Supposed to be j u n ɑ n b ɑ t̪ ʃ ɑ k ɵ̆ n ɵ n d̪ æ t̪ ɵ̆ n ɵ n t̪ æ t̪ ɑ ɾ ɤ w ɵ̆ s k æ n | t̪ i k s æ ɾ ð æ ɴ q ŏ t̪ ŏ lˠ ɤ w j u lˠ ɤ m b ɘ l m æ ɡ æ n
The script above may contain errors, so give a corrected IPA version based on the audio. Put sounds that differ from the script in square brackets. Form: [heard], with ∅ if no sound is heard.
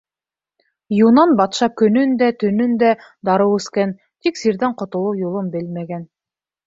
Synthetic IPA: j u n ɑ n b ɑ t̪ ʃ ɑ k ɵ̆ n ɵ n d̪ æ t̪ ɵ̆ n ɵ n [d̪] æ [d̪] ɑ ɾ ɤ w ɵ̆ s k æ n | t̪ i k s [i] ɾ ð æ ɴ q ŏ t̪ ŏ lˠ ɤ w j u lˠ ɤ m b ɘ l m æ ɡ æ n